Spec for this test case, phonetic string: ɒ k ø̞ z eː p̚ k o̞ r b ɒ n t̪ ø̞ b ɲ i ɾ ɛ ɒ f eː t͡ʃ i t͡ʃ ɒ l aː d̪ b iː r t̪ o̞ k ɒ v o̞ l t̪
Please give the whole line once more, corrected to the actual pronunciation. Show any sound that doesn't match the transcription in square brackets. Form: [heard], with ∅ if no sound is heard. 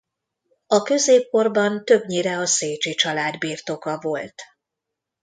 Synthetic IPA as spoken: ɒ k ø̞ z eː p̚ k o̞ r b ɒ n t̪ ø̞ b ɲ i ɾ ɛ ɒ [s] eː t͡ʃ i t͡ʃ ɒ l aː d̪ b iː r t̪ o̞ k ɒ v o̞ l t̪